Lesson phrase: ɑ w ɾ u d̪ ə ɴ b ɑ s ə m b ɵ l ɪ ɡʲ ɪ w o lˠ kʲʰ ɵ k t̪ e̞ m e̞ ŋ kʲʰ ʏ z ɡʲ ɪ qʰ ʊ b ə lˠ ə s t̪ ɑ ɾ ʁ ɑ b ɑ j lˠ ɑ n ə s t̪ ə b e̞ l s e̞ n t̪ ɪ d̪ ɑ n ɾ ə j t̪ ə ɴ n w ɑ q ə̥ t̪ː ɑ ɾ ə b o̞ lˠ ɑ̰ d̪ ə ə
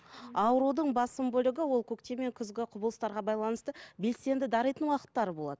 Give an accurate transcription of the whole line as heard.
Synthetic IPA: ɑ w ɾ u d̪ ə ɴ b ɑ s ə m b ɵ l ɪ ɡʲ ɪ w o lˠ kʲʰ ɵ k t̪ e̞ m e̞ ŋ kʲʰ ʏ z ɡʲ ɪ qʰ ʊ b ə lˠ ə s t̪ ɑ ɾ ʁ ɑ b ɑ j lˠ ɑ n ə s t̪ ə b e̞ l s e̞ n d̪ ɪ d̪ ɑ ɾ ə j t̪ ə n w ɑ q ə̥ t̪ː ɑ ɾ ə b o̞ lˠ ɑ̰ d̪ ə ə